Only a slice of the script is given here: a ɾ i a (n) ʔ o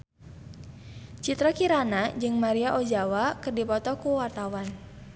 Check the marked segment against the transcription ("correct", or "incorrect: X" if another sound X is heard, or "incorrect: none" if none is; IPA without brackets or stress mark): incorrect: none